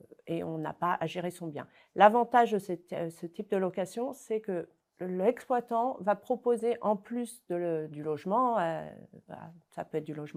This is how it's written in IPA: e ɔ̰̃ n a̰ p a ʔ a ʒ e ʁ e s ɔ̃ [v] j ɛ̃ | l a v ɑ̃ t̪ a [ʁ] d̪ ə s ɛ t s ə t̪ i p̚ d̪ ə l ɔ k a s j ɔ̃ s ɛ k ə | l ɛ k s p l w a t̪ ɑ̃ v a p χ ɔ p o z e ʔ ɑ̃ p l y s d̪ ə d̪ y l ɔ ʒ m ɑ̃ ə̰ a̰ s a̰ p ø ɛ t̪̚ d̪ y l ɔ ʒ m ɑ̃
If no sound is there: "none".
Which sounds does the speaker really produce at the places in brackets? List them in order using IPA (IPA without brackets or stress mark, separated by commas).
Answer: b, ʒ